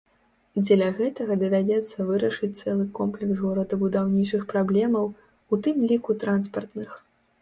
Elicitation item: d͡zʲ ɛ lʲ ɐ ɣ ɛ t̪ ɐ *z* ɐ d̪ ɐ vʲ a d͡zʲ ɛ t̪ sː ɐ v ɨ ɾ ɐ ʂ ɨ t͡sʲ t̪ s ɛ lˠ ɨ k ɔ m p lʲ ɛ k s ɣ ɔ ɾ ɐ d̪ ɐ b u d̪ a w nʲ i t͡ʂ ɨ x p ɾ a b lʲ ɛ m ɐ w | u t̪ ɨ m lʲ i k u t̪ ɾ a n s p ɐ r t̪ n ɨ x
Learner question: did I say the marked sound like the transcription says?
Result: no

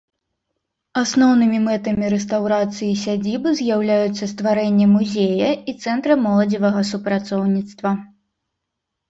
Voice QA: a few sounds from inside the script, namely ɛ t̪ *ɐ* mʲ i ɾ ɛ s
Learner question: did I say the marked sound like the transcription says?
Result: yes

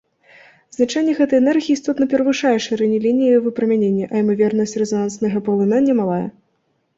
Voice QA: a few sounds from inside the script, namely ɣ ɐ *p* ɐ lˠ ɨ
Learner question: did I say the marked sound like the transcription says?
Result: yes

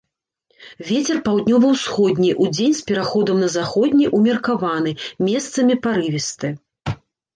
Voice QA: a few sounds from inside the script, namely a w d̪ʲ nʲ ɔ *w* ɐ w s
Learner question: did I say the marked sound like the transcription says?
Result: no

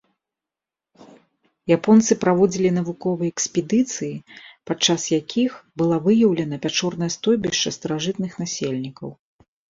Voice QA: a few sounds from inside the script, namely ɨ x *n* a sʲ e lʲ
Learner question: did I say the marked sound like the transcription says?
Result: yes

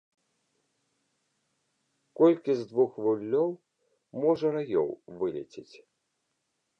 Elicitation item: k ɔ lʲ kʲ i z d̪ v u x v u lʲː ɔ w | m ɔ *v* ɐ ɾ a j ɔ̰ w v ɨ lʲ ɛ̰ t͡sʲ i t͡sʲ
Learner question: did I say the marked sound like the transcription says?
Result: no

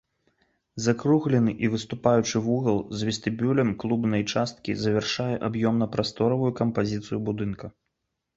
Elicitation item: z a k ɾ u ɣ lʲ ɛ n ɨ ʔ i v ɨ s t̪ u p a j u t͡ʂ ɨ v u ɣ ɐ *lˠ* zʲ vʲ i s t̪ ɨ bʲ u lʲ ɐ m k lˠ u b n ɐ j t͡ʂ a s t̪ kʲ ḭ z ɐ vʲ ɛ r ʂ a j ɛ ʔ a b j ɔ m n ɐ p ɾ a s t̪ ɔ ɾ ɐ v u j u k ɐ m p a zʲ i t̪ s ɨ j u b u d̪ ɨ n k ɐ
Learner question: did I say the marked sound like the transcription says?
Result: yes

